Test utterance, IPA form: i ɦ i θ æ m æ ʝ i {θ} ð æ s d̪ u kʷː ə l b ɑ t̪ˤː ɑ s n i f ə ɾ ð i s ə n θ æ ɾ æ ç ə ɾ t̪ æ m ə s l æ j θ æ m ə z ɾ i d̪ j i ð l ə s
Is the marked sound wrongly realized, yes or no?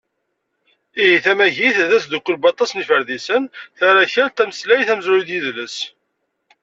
no